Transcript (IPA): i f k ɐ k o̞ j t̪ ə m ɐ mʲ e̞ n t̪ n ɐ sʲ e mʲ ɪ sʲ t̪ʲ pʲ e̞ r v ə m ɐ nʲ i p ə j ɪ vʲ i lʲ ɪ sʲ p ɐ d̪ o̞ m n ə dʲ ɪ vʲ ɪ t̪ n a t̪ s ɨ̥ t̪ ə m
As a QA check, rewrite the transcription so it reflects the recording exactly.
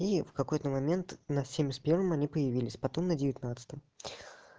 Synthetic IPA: i f k ɐ k o̞ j t̪ ə m ɐ mʲ e̞ n t̪ n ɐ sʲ e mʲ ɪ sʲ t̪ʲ pʲ e̞ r v ə m ɐ nʲ i p ə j ɪ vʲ i lʲ ɪ sʲ p ɐ t̪ o̞ m n ə dʲ ɪ vʲ ɪ t̪ n a t̪ s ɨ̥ t̪ ə m

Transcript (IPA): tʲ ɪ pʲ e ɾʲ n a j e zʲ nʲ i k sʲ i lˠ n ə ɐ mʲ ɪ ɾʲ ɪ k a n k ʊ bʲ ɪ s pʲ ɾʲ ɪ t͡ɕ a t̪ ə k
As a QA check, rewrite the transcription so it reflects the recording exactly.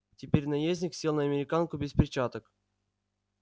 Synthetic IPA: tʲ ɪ pʲ e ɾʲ n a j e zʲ nʲ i k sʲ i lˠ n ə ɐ mʲ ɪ ɾʲ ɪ k a n k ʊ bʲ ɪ s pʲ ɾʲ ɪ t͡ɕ a t̪ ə k

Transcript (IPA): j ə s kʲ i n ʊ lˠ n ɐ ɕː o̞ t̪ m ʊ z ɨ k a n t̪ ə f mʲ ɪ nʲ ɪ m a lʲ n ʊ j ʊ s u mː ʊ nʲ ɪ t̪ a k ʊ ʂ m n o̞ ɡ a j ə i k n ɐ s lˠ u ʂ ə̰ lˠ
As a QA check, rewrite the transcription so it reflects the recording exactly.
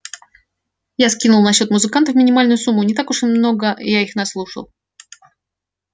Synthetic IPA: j a s kʲ i n ʊ lˠ n ɐ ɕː o̞ t̪ m ʊ z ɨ k a n t̪ ə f mʲ ɪ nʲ ɪ m a lʲ n ʊ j ʊ s u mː ʊ nʲ ɪ t̪ a k ʊ ʂ m n o̞ ɡ ə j a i x n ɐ s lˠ u ʂ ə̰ lˠ

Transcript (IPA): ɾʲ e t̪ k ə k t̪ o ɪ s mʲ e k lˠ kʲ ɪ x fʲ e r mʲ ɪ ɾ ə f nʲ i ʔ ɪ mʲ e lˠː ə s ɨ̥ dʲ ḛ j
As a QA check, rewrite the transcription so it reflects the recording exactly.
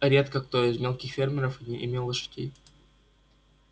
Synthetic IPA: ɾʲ e t̪ k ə k t̪ o ɪ z mʲ e lˠ kʲ ɪ x fʲ e r mʲ ɪ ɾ ə f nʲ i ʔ ɪ mʲ e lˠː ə ʂ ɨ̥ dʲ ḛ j

